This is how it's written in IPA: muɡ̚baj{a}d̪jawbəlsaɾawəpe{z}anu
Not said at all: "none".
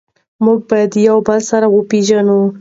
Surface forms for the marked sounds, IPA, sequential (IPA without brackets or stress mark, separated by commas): a, ʒ